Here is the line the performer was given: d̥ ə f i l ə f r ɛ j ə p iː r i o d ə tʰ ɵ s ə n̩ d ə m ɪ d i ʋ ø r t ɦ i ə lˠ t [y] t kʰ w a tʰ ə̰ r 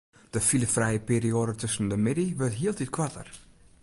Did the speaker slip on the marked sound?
yes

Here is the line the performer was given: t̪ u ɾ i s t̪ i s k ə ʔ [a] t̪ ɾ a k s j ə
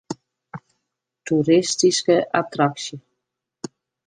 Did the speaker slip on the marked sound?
no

